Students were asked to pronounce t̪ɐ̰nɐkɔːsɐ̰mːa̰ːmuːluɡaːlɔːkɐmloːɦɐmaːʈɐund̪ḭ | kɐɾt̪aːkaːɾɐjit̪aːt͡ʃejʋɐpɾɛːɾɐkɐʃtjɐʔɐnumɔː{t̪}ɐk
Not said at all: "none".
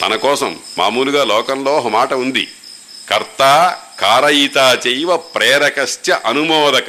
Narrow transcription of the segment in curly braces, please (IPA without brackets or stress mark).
d̪